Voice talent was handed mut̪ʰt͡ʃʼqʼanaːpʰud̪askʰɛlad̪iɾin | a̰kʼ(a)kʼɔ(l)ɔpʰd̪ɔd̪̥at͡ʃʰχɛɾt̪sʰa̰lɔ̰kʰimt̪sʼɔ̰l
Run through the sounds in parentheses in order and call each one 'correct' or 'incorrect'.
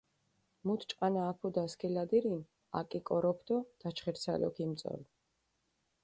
incorrect, incorrect

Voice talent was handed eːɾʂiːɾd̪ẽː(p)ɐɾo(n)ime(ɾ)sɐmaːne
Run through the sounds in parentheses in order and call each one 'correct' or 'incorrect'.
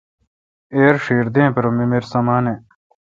correct, incorrect, correct

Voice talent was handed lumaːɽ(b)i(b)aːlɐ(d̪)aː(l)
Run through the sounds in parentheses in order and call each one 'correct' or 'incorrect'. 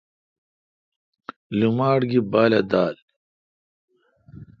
incorrect, correct, correct, correct

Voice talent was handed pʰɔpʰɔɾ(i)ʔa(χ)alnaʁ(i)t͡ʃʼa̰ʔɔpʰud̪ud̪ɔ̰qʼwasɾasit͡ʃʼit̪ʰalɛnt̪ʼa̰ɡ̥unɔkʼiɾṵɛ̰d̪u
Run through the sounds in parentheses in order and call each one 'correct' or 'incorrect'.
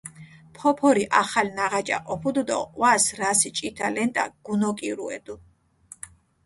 correct, correct, incorrect

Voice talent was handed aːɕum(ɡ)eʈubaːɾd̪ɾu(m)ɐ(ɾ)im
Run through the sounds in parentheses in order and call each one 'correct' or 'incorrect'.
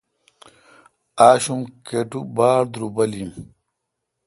incorrect, incorrect, incorrect

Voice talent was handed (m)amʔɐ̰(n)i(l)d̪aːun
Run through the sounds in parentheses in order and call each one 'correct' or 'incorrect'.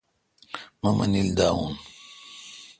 correct, correct, correct

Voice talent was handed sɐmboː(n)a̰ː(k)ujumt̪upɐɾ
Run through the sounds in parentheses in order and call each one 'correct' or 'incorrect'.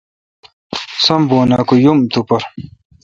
correct, correct

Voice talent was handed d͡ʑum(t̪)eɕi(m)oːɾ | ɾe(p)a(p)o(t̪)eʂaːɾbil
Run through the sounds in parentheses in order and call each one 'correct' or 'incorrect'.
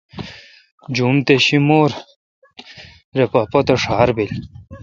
correct, correct, correct, correct, correct

